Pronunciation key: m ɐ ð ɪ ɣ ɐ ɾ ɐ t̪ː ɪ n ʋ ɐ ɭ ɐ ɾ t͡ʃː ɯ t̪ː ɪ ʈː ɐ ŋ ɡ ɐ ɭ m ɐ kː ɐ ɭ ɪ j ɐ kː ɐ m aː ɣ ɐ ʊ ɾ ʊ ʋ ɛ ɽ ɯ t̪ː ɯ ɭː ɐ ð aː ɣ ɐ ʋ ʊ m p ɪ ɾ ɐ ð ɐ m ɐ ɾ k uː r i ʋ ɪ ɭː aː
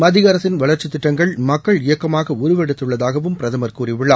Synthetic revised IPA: m ɐ ð ɪ ɣ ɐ ɾ ɐ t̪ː ɪ n ʋ ɐ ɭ ɐ ɾ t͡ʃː ɯ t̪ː ɪ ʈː ɐ ŋ ɡ ɐ ɭ m ɐ kː ɐ ɭ ɪ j ɐ kː ɐ m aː ɣ ɐ ʊ ɾ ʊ ʋ ɛ ɽ ɯ t̪ː ɯ ɭː ɐ ð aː ɣ ɐ ʋ ɯ m p ɪ ɾ ɐ ð ɐ m ɐ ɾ k uː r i ʋ ɪ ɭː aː